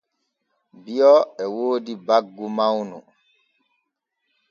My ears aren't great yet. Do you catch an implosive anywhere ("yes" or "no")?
no